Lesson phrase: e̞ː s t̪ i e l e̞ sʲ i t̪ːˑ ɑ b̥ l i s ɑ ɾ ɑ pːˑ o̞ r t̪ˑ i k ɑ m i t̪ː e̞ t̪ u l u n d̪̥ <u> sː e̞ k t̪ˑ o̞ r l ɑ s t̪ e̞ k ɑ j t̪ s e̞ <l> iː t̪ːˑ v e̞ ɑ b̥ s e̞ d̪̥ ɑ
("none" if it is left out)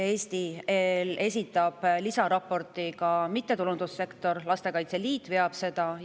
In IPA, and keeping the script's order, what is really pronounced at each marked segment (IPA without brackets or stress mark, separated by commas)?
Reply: u, l